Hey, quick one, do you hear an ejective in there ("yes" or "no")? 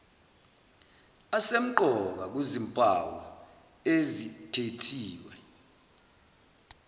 yes